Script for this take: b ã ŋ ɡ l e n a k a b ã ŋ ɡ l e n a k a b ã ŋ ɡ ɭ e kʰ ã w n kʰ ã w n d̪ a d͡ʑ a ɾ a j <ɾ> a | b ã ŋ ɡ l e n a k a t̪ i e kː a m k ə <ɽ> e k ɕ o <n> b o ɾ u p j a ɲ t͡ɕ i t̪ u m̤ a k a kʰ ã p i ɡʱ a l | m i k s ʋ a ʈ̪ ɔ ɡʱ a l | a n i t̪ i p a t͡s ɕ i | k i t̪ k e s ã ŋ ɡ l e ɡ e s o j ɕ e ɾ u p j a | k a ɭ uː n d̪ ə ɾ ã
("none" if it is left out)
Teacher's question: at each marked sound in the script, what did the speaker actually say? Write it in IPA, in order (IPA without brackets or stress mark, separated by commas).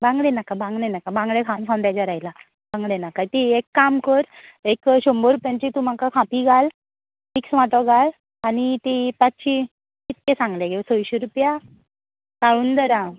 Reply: l, ɾ, m